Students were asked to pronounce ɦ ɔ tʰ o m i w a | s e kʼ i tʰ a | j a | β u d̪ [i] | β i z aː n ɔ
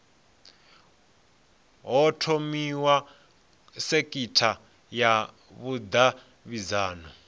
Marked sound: incorrect: a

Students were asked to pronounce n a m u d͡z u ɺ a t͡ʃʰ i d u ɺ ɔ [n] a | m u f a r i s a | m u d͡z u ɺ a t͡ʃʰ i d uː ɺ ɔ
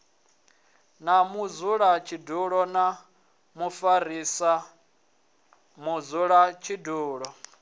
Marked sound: correct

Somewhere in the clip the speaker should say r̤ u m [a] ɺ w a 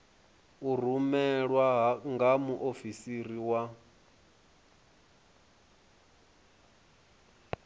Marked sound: incorrect: ɛ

